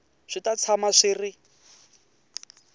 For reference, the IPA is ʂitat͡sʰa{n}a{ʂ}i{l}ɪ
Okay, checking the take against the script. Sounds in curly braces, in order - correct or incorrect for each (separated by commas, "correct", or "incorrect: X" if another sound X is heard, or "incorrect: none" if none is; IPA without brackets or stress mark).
incorrect: m, correct, incorrect: r